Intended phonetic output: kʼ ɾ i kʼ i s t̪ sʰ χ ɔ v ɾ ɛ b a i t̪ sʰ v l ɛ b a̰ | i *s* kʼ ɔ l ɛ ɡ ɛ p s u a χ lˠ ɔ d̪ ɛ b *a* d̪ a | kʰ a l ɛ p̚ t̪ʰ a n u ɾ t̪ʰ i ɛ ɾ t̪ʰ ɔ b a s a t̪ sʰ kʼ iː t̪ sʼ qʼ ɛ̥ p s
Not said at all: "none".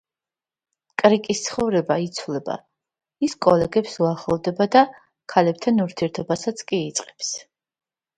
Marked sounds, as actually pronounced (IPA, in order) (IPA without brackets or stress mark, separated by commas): s, a